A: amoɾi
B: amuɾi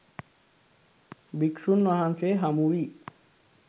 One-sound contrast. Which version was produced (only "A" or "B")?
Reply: B